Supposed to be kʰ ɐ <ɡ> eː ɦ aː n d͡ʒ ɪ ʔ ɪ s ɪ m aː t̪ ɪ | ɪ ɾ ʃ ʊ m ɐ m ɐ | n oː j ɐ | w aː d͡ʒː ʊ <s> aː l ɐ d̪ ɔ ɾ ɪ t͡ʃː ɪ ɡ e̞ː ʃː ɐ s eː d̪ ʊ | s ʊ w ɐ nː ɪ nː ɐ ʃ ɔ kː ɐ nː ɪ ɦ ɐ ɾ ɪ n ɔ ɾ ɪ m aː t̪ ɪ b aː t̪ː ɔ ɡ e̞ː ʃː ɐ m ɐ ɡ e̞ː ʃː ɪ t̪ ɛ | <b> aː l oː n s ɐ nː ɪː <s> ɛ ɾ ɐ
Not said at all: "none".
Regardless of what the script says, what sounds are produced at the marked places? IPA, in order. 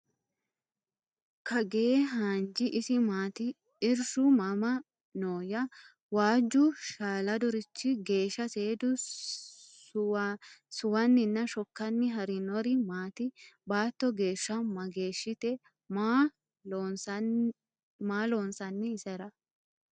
ɡ, ʃ, m, s

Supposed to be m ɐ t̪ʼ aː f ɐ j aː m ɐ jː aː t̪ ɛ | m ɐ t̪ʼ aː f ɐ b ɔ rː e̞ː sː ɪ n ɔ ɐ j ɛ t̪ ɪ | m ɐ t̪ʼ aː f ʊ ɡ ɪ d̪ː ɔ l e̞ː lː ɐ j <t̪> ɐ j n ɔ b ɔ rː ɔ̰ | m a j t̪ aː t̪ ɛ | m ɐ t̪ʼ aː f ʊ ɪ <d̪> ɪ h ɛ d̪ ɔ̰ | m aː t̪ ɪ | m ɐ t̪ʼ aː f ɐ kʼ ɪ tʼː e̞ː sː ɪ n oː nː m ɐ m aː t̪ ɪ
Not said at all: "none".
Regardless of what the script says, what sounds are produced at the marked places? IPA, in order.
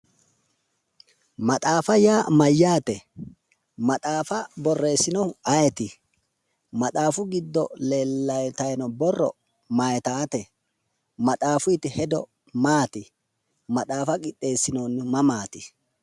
t̪, t̪

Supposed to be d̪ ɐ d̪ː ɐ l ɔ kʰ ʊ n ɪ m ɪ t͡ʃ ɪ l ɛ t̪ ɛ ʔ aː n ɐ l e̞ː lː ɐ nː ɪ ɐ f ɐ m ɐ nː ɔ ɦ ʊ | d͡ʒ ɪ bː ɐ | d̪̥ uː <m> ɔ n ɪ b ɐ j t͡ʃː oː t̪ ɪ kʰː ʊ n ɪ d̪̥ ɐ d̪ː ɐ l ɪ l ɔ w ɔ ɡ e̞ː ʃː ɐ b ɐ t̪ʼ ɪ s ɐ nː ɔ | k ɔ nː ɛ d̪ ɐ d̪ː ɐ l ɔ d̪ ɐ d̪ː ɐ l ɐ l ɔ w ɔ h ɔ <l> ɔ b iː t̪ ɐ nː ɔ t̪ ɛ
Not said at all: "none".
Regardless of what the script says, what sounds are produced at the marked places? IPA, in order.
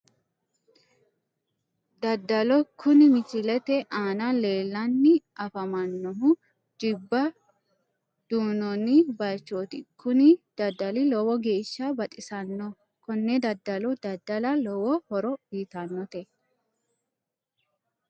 n, ɾ

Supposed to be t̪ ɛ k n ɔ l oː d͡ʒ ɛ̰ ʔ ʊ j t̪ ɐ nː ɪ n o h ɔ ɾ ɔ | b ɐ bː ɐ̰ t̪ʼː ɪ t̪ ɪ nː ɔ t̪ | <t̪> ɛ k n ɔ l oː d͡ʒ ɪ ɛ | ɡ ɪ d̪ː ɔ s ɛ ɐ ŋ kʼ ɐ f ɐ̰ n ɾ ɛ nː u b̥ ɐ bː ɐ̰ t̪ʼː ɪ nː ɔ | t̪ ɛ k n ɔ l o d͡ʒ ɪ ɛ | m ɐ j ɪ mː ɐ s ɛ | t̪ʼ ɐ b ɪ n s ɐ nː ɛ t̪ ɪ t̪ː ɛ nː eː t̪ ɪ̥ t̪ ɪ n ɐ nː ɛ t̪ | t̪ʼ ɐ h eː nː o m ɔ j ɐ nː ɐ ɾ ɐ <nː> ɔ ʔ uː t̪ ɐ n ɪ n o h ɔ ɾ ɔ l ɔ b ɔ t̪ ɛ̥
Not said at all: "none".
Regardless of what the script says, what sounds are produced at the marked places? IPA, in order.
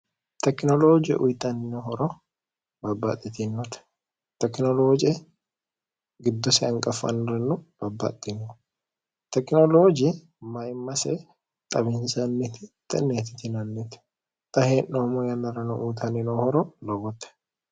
t̪, n

